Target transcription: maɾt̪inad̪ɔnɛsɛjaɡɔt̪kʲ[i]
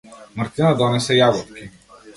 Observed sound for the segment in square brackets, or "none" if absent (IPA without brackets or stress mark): i